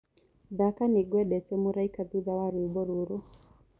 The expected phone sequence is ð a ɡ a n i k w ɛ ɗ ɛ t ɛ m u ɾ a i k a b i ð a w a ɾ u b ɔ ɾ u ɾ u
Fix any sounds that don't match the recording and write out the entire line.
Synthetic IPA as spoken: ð a k a n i ɡ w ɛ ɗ ɛ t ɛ m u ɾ a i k a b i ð a w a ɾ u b ɔ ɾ u ɾ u